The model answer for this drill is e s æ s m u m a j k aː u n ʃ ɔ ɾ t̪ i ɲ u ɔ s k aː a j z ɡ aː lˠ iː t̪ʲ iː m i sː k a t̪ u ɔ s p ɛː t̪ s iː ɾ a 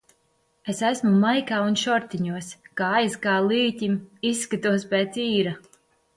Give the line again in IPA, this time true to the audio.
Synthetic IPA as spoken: e s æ s m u m a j k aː u n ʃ ɔ ɾ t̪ i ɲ u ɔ s k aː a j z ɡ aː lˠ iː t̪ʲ i m i sː k a t̪ u ɔ s p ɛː t̪ s iː ɾ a